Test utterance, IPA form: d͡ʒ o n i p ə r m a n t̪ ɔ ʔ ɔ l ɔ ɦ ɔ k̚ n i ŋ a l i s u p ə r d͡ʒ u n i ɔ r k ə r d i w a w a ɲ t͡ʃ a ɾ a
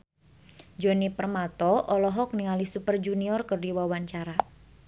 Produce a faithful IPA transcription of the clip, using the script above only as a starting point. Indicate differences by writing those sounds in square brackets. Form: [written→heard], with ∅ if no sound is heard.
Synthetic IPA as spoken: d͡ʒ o n i p ə r m a [n→∅] t̪ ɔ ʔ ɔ l ɔ ɦ ɔ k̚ n i ŋ a l i s u p ə r d͡ʒ u n i ɔ r k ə r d i w a w a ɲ t͡ʃ a ɾ a